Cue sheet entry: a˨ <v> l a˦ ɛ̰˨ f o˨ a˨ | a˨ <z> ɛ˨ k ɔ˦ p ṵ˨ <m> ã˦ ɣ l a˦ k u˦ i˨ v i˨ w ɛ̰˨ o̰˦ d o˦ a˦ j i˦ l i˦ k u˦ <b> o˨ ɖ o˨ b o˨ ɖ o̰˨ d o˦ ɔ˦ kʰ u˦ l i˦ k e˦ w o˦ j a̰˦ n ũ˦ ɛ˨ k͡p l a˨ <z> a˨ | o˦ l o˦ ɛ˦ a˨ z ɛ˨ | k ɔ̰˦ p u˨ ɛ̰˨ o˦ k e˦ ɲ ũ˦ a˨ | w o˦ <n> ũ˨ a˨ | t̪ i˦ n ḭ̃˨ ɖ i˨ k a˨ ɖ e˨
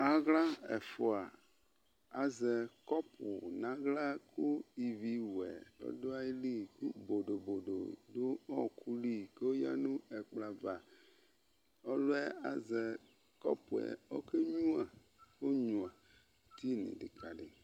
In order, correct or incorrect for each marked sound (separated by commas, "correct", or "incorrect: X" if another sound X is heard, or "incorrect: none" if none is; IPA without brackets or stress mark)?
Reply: incorrect: ɣ, correct, incorrect: n, correct, incorrect: v, incorrect: ɲ